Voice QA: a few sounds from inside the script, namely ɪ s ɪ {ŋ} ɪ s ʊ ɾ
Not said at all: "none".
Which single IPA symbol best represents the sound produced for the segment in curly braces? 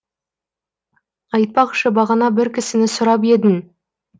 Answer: n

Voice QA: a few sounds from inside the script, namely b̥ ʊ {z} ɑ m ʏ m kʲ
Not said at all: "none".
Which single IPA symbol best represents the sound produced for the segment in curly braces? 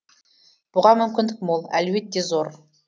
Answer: ʁ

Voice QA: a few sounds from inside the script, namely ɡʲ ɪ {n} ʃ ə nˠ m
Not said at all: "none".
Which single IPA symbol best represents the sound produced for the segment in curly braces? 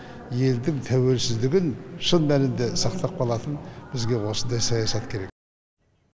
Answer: n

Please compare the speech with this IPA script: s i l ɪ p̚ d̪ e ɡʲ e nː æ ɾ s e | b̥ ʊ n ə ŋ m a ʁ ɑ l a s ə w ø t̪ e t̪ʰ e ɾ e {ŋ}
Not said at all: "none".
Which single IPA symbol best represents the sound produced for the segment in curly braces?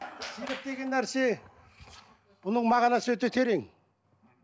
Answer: ŋ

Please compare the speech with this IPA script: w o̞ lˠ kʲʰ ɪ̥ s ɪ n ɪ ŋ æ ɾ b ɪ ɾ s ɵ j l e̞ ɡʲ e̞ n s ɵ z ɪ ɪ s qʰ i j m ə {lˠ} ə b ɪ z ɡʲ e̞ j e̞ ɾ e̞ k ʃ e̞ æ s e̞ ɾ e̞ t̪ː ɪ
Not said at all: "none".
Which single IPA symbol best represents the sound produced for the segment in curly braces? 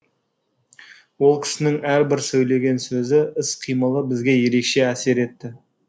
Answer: lˠ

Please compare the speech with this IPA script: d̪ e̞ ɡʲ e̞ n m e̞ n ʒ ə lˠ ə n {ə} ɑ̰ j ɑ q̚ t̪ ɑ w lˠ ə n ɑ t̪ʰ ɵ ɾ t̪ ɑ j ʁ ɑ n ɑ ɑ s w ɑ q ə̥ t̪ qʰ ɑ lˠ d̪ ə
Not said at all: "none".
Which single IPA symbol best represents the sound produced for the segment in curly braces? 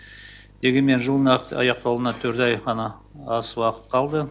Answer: ɑ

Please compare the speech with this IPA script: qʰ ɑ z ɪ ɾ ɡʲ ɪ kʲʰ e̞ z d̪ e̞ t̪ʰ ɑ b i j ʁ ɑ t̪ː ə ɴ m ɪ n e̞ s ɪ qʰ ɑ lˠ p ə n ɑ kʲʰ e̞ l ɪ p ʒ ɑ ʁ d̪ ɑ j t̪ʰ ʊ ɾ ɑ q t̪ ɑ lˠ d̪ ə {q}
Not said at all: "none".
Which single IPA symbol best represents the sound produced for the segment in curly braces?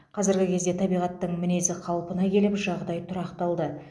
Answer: none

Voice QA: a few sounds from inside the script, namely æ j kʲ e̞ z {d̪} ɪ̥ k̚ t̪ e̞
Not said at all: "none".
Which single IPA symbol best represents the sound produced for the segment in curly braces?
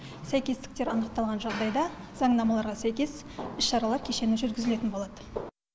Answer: t̪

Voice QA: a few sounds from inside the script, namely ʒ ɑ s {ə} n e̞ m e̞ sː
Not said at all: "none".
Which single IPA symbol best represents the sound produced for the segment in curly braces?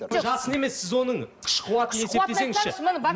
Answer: ə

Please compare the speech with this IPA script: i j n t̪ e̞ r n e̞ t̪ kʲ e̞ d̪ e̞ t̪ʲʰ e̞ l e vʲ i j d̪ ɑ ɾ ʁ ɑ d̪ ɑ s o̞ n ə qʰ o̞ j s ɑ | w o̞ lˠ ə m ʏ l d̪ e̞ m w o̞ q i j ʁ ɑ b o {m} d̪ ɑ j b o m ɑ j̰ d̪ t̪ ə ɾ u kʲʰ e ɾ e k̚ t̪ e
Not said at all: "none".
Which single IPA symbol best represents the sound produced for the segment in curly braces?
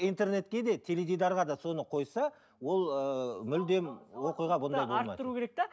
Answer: n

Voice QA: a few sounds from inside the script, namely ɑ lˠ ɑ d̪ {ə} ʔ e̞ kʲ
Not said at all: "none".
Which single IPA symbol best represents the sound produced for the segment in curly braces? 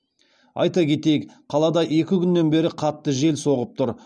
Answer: ɑ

